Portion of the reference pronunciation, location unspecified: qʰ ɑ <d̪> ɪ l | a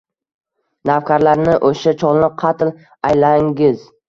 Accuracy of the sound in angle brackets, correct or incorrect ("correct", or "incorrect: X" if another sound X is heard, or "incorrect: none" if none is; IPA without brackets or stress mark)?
incorrect: t̪